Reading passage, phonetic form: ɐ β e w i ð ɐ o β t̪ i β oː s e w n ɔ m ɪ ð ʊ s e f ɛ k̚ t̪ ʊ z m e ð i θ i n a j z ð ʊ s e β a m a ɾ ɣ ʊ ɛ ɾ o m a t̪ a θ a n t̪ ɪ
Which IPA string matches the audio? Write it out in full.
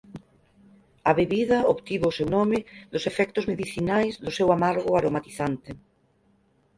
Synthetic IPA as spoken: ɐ β e β i ð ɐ o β t̪ i β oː s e w n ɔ m ɪ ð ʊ s e f ɛ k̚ t̪ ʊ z m e ð i θ i n a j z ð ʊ s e w a m a ɾ ɣ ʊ a ɾ o m a t̪ i θ a n t̪ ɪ